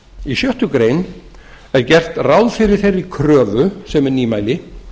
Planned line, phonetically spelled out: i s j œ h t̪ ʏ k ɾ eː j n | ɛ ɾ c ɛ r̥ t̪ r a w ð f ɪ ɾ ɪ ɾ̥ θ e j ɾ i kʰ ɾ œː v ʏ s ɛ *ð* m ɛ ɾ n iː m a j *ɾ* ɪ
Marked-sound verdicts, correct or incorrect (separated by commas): incorrect, incorrect